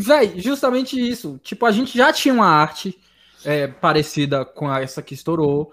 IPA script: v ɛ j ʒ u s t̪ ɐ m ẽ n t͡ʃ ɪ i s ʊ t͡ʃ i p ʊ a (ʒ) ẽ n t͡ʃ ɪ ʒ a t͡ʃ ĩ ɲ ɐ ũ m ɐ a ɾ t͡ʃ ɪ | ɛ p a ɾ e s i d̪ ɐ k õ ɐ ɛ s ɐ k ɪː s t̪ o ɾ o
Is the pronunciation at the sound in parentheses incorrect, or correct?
correct